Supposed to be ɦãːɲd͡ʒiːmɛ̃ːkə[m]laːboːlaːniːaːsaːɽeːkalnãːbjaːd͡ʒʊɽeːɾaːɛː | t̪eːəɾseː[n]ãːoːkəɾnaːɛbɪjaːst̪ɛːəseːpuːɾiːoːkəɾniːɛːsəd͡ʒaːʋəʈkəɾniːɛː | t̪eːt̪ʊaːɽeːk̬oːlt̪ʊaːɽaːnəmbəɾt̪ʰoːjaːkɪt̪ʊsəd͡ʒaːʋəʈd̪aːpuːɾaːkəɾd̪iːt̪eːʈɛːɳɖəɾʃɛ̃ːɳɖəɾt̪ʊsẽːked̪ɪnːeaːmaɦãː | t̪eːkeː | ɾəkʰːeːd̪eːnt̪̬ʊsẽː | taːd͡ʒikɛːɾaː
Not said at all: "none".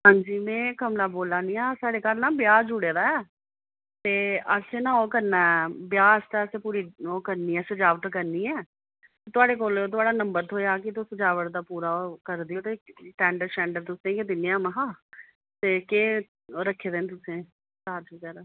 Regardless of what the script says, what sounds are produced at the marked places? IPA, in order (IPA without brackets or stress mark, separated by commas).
m, n